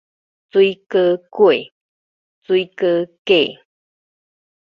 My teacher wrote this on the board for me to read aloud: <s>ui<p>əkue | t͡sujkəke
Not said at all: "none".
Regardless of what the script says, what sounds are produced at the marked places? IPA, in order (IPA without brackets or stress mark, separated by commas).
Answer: t͡s, k